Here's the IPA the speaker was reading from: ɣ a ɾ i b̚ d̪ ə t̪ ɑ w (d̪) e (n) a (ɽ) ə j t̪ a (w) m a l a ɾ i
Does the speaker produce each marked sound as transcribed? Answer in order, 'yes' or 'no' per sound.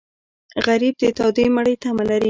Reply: yes, no, yes, no

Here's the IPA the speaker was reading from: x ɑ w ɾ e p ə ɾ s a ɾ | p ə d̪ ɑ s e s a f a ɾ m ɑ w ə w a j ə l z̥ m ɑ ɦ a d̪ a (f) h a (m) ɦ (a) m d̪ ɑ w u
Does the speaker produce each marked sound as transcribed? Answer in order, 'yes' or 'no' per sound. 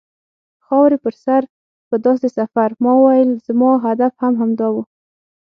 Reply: yes, yes, yes

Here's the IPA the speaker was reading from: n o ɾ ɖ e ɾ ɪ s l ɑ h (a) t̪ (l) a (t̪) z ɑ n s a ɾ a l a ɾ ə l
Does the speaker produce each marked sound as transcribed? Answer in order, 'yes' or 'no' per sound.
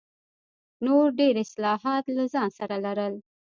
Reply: no, yes, no

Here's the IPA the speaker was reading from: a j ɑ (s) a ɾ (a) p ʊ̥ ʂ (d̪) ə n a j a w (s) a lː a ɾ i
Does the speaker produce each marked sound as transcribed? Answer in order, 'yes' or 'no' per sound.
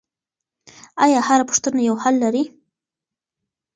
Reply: no, yes, no, no

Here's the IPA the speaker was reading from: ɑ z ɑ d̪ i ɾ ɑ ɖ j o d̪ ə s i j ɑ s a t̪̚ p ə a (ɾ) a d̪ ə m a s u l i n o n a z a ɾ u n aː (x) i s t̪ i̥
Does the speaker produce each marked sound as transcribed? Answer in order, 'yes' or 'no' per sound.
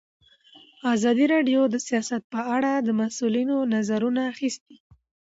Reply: no, yes

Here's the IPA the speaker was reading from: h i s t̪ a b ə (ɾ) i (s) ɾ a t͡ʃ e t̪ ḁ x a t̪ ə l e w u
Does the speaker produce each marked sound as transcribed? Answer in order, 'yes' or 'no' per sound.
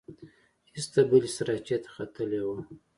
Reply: no, yes

